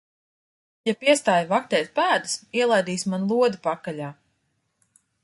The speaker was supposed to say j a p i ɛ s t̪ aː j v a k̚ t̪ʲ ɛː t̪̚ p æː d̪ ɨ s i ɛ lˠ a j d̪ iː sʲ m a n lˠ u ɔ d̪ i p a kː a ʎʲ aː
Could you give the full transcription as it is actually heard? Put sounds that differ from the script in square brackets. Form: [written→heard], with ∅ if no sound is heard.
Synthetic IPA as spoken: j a p i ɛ s t̪ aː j v a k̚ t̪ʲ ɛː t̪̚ p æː d̪ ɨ s i ɛ lˠ a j d̪ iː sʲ m a n lˠ u ɔ d̪ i p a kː a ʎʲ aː